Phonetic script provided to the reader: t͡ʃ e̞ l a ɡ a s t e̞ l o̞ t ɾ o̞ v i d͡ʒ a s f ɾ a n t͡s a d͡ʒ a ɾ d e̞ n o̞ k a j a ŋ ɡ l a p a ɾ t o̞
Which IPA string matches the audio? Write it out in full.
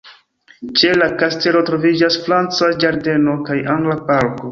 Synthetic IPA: t͡ʃ e̞ l a k a s t e̞ l o̞ t ɾ o̞ v i d͡ʒ a s f ɾ a n t͡s a d͡ʒ a ɾ d e̞ n o̞ k a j a ŋ ɡ l a p a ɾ k o̞

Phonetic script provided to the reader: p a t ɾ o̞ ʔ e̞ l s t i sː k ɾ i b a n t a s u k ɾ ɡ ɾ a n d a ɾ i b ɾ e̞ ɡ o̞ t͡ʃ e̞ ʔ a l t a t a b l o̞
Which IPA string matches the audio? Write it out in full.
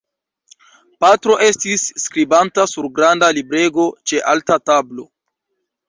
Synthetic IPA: p a t ɾ o̞ ʔ e̞ s t i sː k ɾ i b a n t a s u ɾ ɡ ɾ a n d a l i b ɾ e̞ ɡ o̞ t͡ʃ e̞ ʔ a l t a t a b l o̞

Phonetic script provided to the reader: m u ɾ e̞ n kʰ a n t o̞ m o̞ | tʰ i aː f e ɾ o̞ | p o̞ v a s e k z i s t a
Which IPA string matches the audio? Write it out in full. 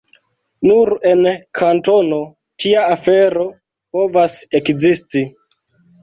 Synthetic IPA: n u ɾ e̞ n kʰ a n t o̞ n o̞ | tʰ i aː f e ɾ o̞ | p o̞ v a s e k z i s t i

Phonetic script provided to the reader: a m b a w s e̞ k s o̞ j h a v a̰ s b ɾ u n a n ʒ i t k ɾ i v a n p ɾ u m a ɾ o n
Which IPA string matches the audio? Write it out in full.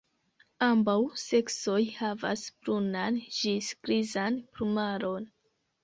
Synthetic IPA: a m b a w s e̞ k s o̞ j h a v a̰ s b ɾ u n a n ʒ i s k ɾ i z a n p ɾ u m a ɾ o n

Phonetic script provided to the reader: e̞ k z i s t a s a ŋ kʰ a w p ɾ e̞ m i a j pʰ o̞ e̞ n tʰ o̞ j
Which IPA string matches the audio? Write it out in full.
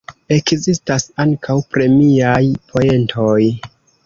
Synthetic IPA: e̞ k z i s t a s a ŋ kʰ a w p ɾ e̞ m i a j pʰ o̞ e̞ n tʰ o̞ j

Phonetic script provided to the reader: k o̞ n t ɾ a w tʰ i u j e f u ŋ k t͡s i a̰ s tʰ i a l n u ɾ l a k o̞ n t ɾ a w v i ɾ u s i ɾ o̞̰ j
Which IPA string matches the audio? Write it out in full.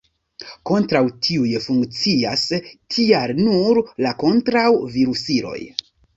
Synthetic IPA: k o̞ n t ɾ a w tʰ i u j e f u ŋ k t͡s i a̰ s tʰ i a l n u ɾ l a k o̞ n t ɾ a w v i ɾ u s i ɾ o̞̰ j

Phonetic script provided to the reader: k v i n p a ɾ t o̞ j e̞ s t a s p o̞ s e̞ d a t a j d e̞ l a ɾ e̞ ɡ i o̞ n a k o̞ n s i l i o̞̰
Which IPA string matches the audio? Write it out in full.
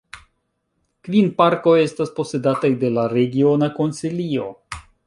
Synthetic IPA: k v i n p a ɾ k o̞ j e̞ s t a s p o̞ s e̞ d a t a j d e̞ l a ɾ e̞ ɡ i o̞ n a k o̞ n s i l i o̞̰

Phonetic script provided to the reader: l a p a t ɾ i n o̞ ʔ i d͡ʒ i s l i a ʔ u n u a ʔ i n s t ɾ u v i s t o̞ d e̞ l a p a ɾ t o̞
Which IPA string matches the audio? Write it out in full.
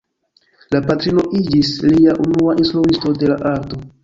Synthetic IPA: l a p a t ɾ i n o̞ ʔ i d͡ʒ i s l i a ʔ u n u a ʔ i n s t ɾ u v i s t o̞ d e̞ l a ʔ a ɾ t o̞

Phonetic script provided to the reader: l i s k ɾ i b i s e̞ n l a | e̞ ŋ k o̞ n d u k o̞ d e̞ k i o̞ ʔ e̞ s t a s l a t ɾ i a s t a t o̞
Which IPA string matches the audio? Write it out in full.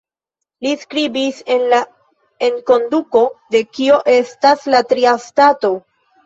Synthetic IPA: l i s k ɾ i b i s e̞ n l a | e̞ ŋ k o̞ n d u k o̞ d e̞ k i o̞ ʔ e̞ s t a s l a t ɾ i a s t a t o̞

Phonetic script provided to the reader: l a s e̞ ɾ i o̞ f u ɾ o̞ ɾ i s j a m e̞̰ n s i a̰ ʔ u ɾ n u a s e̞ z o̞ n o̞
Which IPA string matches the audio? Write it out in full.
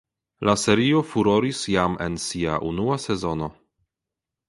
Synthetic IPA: l a s e̞ ɾ i o̞ f u ɾ o̞ ɾ i s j a m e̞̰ n s i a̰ ʔ u n u a s e̞ z o̞ n o̞

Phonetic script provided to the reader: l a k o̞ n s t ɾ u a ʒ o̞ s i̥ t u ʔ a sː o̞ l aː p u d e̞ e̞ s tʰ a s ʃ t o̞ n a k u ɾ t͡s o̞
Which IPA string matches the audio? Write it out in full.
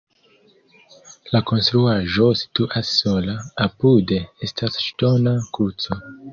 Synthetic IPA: l a k o̞ n s t ɾ u a ʒ o̞ s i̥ t u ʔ a sː o̞ l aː p u d e̞ e̞ s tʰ a s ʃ t o̞ n a k u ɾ t͡s o̞

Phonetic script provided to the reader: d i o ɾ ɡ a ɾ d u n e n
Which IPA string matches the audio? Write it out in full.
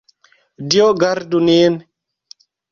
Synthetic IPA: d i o ɡ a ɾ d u n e n

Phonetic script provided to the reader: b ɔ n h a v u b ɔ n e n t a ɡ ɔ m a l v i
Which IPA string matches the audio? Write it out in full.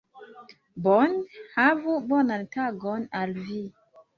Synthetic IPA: b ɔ n h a v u b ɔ n a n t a ɡ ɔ n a l v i

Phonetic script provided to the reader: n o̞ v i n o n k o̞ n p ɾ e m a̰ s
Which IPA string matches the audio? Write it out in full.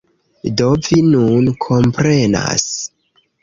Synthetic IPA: d o̞ v i n u n kʰ o̞ m p ɾ e n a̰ s

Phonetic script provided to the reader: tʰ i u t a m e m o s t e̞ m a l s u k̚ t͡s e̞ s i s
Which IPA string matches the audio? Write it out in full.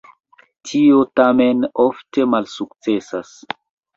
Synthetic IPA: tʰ i o t a m e n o f t e̞ m a l s u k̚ t͡s e̞ s a s

